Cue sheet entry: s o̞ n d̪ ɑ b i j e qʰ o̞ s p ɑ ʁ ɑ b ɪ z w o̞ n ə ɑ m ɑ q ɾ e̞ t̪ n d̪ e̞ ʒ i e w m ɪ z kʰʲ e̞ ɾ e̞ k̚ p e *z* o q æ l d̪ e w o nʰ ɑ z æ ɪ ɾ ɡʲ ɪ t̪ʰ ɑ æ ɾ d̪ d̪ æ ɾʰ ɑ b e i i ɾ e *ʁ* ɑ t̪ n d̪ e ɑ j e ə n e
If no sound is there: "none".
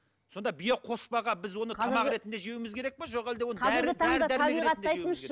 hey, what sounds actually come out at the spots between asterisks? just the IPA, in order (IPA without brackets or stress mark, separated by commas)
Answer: ʒ, ʁ